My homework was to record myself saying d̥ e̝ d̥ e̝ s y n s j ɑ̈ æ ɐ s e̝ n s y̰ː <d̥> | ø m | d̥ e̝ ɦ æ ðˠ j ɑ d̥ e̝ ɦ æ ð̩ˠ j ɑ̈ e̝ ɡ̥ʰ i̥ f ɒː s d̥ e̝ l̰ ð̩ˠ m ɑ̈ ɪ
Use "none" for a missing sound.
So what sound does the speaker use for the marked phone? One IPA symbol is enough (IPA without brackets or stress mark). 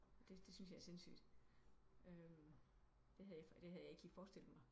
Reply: d̥